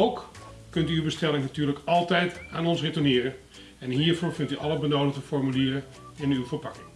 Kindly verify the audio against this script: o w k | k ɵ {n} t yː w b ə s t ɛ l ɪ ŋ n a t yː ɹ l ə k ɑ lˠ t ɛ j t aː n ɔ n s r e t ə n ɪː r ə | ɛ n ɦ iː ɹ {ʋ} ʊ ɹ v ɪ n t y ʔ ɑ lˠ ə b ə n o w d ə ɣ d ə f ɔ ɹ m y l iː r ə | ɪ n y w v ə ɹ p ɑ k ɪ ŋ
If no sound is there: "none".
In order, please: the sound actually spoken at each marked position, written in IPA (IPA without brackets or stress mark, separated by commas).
n, v